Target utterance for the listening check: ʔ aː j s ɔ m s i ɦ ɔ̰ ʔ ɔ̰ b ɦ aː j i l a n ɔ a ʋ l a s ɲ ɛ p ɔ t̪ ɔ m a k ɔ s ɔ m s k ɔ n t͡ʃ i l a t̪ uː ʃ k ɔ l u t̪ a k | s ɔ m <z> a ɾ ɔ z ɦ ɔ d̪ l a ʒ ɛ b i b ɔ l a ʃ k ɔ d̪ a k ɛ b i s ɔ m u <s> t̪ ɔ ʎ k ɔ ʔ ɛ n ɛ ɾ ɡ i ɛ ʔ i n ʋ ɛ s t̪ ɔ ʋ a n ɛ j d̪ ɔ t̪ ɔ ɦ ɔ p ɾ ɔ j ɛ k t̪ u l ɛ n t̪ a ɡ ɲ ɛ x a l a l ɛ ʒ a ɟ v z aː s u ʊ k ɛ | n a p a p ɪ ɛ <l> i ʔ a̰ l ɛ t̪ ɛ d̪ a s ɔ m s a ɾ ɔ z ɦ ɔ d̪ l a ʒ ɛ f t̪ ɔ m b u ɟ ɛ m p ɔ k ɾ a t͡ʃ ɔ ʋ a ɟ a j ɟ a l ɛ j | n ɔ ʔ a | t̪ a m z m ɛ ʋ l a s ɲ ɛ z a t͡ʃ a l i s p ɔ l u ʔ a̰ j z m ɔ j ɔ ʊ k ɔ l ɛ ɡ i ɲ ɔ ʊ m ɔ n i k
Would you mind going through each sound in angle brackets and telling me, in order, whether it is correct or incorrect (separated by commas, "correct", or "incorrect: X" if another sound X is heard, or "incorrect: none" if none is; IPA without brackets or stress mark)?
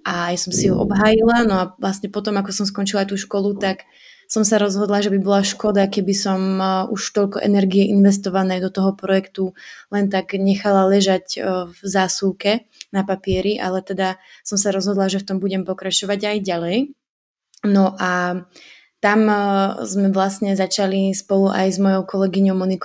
incorrect: s, incorrect: ʃ, incorrect: ɾ